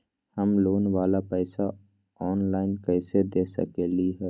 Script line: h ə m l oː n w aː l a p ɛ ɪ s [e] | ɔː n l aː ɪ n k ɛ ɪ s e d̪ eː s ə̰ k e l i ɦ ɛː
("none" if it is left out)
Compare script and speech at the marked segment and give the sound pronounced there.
a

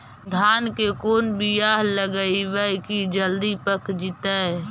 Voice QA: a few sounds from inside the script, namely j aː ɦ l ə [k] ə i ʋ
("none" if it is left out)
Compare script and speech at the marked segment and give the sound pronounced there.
ɡ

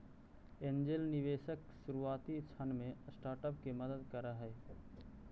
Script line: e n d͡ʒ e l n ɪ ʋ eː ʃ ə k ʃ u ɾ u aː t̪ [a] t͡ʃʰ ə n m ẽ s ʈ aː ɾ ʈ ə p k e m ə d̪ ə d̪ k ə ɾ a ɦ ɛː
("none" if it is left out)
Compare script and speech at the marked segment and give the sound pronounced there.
i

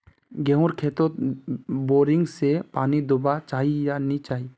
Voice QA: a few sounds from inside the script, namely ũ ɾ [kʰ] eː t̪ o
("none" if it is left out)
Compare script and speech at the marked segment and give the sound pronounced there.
kʰ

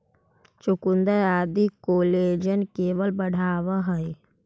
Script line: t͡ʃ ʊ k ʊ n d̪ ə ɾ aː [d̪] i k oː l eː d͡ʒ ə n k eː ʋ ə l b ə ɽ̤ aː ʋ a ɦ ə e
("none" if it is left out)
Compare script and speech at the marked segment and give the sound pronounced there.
d̪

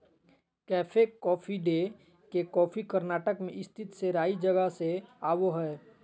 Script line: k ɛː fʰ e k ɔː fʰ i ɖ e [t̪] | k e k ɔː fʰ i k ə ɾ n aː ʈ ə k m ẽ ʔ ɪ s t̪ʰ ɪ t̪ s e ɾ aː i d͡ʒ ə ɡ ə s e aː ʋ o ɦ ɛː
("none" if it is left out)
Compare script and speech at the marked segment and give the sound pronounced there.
none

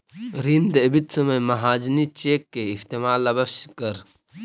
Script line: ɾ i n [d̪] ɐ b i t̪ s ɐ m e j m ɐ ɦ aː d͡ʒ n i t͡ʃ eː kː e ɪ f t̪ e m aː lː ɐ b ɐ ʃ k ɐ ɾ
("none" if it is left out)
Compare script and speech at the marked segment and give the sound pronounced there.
d̪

